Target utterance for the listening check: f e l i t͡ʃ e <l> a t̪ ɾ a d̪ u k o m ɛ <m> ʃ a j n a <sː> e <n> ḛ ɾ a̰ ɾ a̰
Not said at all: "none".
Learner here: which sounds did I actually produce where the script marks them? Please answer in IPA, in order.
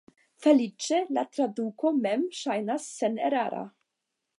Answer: l, m, sː, n

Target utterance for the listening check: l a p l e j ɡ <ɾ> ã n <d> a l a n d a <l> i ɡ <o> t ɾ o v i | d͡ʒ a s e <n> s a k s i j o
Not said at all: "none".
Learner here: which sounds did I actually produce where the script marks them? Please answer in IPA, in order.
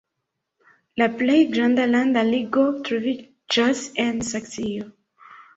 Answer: ɾ, d, l, o, n

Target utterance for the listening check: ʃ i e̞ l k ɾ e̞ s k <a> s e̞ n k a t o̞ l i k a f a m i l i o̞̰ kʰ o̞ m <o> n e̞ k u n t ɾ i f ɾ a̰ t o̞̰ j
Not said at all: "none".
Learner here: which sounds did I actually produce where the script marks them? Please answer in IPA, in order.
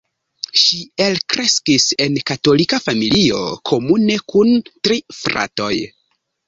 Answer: i, u

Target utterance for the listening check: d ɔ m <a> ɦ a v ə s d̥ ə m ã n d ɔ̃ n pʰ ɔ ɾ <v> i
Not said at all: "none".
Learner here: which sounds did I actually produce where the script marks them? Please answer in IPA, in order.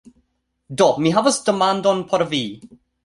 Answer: i, v

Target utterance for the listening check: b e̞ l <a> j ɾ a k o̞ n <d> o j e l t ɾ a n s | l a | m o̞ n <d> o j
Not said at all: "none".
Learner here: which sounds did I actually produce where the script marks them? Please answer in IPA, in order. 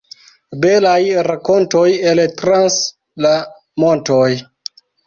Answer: a, t, t

